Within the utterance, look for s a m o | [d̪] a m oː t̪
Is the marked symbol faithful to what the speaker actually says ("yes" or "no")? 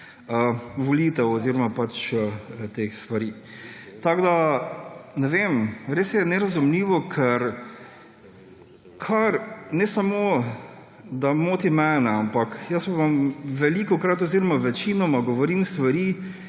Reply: yes